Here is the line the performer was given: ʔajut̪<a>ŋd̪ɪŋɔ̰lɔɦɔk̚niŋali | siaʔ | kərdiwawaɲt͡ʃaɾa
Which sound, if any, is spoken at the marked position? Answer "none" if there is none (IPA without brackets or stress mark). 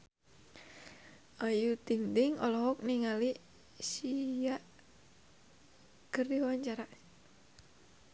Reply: i